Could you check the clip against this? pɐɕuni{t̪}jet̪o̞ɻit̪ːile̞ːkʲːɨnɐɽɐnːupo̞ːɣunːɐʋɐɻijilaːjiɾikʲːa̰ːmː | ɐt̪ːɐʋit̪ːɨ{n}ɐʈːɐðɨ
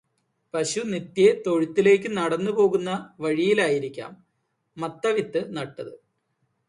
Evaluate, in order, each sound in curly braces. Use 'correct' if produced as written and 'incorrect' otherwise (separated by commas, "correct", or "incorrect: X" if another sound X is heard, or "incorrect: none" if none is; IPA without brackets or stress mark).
correct, correct